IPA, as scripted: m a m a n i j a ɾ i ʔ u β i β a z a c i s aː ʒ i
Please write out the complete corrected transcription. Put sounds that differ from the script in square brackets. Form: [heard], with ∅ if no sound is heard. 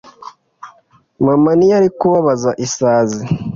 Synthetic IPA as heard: m a m a n i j a ɾ i [k] u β [a] β a z a [ʔ] i s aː [z] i